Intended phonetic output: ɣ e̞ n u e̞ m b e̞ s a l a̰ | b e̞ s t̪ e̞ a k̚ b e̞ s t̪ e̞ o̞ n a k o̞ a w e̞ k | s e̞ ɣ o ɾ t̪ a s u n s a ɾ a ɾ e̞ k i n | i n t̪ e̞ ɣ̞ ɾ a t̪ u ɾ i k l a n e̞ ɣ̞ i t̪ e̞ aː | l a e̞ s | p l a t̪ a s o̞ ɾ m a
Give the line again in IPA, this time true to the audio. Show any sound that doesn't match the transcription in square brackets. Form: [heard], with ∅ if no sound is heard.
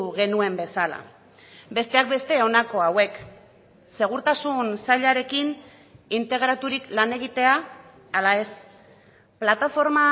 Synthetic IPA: ɣ e̞ n u e̞ m b e̞ s a l a̰ | b e̞ s t̪ e̞ a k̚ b e̞ s t̪ e̞ o̞ n a k o̞ a w e̞ k | s e̞ ɣ [u] ɾ t̪ a s u n s a [ʎ] a ɾ e̞ k i n | i n t̪ e̞ ɣ̞ ɾ a t̪ u ɾ i k l a n e̞ ɣ̞ i t̪ e̞ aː | l a e̞ s | p l a t̪ a [f] o̞ ɾ m a